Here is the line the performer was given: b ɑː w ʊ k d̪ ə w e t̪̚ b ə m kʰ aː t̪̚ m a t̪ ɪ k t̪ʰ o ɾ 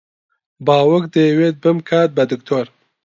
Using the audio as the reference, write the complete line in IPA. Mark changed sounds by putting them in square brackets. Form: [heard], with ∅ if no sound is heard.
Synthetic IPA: b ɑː w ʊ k d̪ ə w e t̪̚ b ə m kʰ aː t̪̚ [b] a [d̪] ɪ k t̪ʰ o ɾ